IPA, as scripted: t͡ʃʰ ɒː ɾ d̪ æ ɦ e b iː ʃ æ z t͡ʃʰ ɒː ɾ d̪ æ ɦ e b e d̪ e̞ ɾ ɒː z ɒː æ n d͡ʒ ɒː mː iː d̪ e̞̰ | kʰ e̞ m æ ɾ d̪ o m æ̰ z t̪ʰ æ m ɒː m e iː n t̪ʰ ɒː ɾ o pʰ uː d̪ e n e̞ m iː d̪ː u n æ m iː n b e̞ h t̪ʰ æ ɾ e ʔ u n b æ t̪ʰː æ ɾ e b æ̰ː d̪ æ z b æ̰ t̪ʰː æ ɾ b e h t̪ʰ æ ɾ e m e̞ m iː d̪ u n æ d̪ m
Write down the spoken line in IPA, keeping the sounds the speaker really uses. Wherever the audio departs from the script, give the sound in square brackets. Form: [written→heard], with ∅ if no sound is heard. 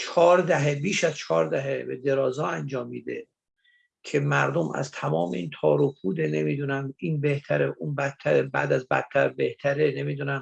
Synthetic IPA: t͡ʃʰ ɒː ɾ d̪ æ ɦ e b iː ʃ æ z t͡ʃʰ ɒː ɾ d̪ æ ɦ e b e d̪ e̞ ɾ ɒː z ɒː æ n d͡ʒ ɒː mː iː d̪ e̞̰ | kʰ e̞ m æ ɾ d̪ o m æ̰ z t̪ʰ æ m ɒː m e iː n t̪ʰ ɒː ɾ o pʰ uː d̪ e n e̞ m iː [d̪ː→d̪] u n æ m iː n b e̞ h t̪ʰ æ ɾ e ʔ u n b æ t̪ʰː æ ɾ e b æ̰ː d̪ æ z b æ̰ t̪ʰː æ ɾ b e h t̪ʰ æ ɾ e [m→n] e̞ m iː d̪ u n æ [d̪→∅] m

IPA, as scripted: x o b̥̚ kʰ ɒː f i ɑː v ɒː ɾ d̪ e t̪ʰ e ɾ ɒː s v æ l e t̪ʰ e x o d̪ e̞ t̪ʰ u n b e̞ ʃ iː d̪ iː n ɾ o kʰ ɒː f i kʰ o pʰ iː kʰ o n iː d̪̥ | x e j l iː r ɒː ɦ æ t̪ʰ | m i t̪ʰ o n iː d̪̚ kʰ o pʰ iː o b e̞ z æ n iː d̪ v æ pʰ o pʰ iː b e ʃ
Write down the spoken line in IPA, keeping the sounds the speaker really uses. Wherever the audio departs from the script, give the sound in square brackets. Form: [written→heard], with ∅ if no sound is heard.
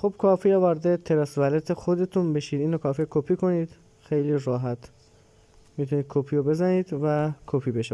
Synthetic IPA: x o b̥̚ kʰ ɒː f i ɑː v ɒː ɾ d̪ e t̪ʰ e ɾ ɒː s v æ l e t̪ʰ e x o d̪ e̞ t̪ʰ u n b e̞ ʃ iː d̪ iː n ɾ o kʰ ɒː f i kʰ o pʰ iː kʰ o n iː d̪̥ | x e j l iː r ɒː ɦ æ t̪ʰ | m i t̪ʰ [o→u] n iː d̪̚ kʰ o pʰ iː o b e̞ z æ n iː d̪ v æ [pʰ→kʰ] o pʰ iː b e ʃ

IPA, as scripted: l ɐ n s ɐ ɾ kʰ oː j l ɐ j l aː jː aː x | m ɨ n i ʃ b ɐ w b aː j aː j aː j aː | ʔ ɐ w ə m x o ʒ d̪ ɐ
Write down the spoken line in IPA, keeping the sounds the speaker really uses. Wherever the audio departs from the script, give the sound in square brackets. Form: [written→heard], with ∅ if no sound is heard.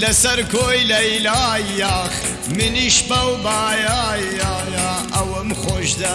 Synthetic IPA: l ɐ [n→∅] s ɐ ɾ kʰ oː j l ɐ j l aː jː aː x | m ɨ n i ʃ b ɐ w b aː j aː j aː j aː | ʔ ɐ w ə m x o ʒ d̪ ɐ

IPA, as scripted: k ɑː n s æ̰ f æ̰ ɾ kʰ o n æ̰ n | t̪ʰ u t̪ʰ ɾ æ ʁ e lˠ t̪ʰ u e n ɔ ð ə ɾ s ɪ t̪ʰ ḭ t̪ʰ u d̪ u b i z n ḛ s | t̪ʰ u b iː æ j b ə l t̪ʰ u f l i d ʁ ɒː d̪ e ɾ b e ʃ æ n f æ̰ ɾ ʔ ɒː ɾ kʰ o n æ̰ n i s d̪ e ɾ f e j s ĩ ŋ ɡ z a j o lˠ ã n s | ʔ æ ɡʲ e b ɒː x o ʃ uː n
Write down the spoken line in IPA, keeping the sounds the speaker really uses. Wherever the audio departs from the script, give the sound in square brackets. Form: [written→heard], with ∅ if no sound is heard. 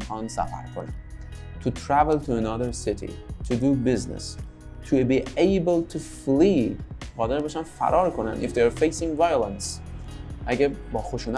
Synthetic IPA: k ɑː n s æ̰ f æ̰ ɾ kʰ o n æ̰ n | t̪ʰ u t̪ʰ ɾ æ [ʁ→v] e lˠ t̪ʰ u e n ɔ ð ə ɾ s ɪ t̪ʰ ḭ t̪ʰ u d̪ u b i z n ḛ s | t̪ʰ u b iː [æ→e] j b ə l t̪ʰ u f l i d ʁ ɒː d̪ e ɾ b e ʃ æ n f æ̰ ɾ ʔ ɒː ɾ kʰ o n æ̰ n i [s→f] d̪ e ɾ f e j s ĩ ŋ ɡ [z→v] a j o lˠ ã n s | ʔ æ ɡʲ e b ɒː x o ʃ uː n

